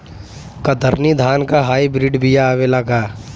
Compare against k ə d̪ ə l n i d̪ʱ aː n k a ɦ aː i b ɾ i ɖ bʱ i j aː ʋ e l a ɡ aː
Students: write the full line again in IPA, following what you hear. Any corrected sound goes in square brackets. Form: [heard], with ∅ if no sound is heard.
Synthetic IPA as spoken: k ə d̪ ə [ɾ] n i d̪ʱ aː n k a ɦ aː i b ɾ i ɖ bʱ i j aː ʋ e l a ɡ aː